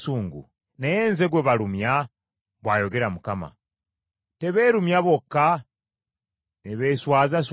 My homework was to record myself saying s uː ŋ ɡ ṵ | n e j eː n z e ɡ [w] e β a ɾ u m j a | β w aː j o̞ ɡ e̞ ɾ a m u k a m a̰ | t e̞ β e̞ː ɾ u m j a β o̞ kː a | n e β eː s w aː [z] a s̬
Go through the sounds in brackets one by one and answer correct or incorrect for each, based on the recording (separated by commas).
correct, correct